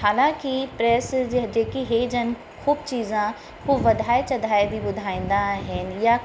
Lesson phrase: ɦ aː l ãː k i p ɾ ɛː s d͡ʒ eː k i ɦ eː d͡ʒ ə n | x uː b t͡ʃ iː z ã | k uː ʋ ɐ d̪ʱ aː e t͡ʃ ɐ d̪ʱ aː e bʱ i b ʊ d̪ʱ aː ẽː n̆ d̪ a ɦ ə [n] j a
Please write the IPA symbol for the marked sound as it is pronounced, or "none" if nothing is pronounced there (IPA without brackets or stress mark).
n